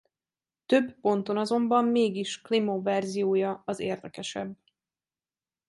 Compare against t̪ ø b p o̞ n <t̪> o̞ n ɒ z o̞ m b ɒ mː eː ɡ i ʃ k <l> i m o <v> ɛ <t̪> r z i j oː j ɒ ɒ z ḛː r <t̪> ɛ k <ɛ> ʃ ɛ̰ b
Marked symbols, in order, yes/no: yes, yes, yes, no, no, yes

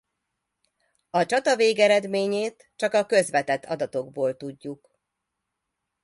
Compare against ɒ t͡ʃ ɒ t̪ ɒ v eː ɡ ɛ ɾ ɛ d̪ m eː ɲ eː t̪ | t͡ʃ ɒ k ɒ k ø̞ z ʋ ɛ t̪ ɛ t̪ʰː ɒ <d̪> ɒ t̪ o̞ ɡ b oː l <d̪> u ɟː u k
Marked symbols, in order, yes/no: yes, no

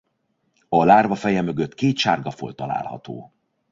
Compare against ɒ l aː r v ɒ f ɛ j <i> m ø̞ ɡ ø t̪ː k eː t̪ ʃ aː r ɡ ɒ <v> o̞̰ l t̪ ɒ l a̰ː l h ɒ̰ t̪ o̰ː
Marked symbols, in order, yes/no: no, no

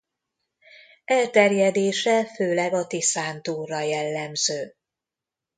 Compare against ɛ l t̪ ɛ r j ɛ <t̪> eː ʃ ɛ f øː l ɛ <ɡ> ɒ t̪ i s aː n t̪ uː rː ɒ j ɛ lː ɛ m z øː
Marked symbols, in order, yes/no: no, yes

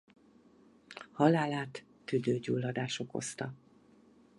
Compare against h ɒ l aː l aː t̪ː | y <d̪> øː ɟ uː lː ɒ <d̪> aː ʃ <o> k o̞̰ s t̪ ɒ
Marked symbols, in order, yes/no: yes, yes, yes

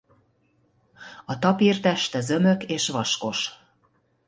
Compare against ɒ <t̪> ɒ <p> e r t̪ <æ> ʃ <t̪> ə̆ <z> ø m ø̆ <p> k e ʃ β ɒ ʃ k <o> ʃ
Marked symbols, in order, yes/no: yes, yes, yes, yes, yes, no, yes

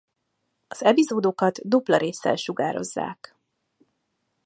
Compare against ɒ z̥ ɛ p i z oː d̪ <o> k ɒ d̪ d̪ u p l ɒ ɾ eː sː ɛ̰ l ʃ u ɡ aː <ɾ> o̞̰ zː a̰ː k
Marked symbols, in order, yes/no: yes, yes

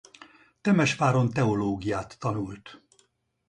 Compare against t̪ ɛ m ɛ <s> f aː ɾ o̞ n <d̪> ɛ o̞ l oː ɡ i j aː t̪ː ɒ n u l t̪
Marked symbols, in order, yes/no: no, no

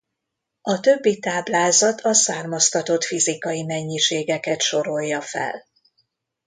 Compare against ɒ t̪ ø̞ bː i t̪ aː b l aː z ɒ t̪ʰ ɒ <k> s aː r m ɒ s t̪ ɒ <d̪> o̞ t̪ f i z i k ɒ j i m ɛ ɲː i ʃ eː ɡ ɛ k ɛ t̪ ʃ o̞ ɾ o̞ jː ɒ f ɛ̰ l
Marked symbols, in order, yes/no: no, no

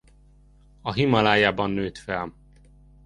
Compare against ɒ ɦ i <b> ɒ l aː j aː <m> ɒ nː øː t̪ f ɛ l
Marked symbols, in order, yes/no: no, no

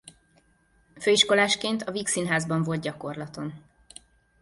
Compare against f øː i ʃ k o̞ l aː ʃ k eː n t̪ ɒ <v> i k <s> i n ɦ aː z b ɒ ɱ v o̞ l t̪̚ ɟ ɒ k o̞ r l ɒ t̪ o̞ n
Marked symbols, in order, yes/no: yes, yes

